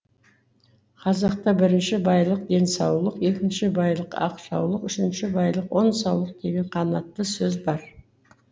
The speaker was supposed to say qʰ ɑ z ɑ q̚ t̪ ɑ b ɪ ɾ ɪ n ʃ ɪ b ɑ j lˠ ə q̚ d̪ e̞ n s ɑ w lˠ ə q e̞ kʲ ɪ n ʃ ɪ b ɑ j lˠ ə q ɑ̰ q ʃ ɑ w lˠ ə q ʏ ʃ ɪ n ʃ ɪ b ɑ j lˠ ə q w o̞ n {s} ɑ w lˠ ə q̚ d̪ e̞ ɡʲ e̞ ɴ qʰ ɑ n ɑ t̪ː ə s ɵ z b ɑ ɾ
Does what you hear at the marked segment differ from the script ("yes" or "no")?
no